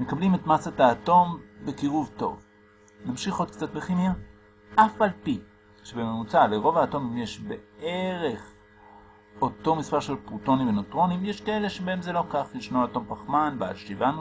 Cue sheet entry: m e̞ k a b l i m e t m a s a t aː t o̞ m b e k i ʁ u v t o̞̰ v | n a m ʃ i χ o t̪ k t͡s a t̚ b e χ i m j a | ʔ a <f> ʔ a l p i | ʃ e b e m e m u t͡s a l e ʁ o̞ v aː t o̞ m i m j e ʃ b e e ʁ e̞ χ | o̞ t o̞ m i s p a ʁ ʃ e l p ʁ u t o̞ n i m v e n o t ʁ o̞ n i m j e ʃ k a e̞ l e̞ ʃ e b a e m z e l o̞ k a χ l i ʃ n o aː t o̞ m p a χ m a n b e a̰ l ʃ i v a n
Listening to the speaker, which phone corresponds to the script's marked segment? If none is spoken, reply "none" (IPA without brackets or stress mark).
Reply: f